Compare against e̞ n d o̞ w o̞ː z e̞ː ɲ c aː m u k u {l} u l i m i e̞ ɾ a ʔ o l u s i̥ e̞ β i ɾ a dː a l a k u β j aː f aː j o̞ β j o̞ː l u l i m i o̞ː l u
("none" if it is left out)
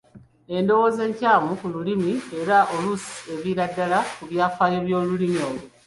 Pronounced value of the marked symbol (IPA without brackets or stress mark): l